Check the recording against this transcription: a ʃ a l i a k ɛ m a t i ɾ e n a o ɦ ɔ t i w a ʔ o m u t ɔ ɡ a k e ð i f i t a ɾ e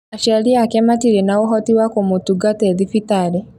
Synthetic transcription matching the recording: a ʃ a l i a k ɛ m a t i ɾ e n a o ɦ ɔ t i w a k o m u t u ɡ a t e ð i f i t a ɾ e